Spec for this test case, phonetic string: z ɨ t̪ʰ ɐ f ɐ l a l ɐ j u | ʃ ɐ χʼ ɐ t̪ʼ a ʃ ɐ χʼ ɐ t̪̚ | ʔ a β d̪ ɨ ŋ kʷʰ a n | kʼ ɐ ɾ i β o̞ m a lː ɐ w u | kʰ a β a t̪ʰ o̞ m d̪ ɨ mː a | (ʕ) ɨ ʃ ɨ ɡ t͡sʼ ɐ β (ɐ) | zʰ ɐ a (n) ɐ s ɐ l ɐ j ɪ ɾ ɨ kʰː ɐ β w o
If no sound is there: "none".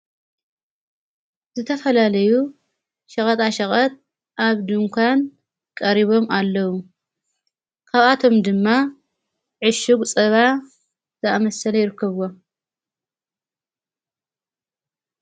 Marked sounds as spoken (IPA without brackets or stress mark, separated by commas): ʕ, a, m